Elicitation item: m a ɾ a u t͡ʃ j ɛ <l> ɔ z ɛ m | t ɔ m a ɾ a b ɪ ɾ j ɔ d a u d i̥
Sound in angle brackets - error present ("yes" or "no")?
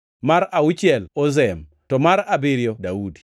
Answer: no